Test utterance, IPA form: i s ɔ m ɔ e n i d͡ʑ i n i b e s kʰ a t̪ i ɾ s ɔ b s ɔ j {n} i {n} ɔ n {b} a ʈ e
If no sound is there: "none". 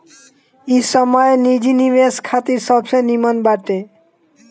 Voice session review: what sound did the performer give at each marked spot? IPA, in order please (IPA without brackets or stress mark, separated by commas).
n, m, b